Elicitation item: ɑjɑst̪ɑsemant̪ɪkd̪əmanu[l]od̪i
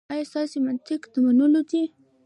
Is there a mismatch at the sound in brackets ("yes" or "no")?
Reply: no